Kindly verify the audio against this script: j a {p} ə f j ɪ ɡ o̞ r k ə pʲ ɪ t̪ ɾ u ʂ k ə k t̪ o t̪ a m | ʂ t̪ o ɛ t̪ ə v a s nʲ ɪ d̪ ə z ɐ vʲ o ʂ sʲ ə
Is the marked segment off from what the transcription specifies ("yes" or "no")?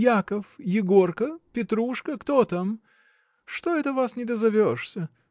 yes